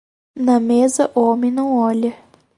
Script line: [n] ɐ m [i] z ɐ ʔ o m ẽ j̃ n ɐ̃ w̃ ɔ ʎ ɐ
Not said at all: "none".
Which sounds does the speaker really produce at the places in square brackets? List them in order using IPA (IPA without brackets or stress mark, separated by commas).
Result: n, e